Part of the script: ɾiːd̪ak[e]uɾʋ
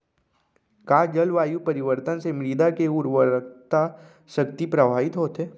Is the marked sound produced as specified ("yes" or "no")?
yes